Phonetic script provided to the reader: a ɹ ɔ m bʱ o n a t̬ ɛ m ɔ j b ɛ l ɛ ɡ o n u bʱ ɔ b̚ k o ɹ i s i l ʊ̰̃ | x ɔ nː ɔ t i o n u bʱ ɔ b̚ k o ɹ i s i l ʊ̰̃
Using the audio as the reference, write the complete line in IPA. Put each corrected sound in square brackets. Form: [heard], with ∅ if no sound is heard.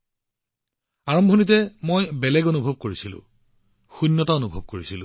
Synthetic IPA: a ɹ ɔ m bʱ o n [i] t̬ ɛ m [o] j b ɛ l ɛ ɡ o n u bʱ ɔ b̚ k o ɹ i s i l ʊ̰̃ | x [u] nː ɔ t [a] o n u bʱ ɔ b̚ k o ɹ i s i l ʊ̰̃